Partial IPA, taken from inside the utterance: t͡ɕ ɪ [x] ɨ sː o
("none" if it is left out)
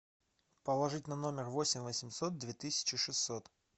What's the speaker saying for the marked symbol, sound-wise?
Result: ʂ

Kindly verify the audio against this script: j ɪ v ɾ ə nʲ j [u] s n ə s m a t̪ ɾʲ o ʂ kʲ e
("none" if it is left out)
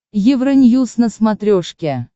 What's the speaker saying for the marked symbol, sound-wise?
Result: u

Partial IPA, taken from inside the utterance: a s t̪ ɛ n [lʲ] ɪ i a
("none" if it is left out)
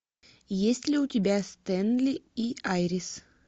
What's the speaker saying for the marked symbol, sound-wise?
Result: lʲ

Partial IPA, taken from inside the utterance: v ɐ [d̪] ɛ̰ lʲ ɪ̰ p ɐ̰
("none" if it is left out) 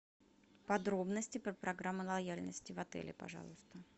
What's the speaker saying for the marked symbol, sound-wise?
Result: t̪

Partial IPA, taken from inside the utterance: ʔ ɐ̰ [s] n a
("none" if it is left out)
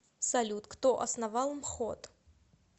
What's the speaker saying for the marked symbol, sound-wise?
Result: s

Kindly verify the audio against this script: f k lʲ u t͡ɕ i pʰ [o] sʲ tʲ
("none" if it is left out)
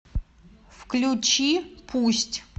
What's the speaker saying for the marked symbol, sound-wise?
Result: u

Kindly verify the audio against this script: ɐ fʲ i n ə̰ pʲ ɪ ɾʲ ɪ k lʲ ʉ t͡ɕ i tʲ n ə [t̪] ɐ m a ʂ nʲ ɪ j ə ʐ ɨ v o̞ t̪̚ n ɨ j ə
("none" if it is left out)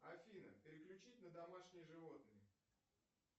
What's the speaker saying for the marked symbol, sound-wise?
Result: d̪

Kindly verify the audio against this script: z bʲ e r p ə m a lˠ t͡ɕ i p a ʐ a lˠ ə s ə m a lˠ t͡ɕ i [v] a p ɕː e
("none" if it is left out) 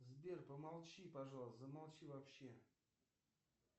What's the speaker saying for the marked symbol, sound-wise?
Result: v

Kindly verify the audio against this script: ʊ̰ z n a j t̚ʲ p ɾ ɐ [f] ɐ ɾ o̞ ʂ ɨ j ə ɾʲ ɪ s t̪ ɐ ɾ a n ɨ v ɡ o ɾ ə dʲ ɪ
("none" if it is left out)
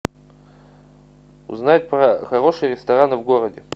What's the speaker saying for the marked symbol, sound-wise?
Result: x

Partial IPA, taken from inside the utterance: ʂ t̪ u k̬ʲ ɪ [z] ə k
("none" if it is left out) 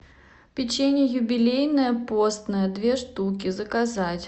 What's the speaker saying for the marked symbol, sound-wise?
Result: z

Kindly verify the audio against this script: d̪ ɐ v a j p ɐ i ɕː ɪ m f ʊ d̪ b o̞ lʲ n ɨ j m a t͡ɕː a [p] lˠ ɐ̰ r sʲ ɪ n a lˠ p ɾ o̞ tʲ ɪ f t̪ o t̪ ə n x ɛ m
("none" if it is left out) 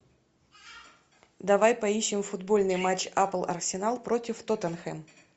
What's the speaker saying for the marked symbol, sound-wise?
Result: p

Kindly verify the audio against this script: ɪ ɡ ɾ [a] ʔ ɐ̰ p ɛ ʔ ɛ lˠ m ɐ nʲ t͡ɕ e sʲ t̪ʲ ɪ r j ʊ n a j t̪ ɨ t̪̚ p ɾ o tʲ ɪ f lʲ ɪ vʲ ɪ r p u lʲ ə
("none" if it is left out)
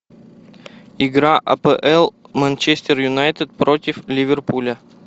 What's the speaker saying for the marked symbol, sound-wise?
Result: a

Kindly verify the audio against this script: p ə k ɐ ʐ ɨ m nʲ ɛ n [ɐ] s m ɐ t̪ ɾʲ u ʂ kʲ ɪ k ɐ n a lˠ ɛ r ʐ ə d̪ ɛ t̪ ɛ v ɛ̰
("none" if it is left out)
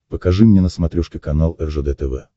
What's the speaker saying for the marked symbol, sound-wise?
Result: ə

